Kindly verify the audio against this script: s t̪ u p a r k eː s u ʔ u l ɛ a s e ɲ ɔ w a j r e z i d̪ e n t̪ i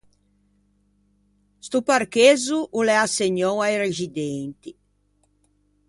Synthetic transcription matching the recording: s t̪ u p a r k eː z u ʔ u l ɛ a s e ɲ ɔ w a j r e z i d̪ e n t̪ i